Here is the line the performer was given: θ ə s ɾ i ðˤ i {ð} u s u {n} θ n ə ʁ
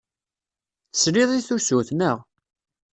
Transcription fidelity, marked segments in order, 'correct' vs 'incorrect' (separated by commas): incorrect, incorrect